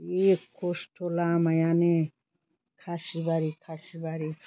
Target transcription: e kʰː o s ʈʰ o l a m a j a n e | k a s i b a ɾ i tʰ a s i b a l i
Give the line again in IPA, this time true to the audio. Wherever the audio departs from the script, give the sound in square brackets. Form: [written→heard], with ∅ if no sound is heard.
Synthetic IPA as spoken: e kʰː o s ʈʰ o l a m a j a n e | [k→kʰ] a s i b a ɾ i [tʰ→kʰ] a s i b a [l→ɾ] i